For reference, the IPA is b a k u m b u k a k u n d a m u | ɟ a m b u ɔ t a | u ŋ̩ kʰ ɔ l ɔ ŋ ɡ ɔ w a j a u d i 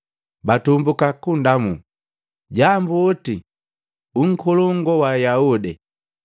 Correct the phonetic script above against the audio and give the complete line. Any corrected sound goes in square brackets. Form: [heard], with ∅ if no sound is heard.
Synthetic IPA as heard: b a [t] u m b u k a k u n d a m u | ɟ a m b u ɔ t [i] | u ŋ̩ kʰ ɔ l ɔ ŋ ɡ ɔ w a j a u d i